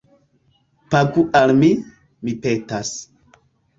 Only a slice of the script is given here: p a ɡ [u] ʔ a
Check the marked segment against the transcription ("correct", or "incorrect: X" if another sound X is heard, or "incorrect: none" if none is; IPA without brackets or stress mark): correct